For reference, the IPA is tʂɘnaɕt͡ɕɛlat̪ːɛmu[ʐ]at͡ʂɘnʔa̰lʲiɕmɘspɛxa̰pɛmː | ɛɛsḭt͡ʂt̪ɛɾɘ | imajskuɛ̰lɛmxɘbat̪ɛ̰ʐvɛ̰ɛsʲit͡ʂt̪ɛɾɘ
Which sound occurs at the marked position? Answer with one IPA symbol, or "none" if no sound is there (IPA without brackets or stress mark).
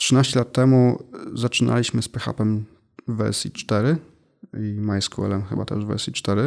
z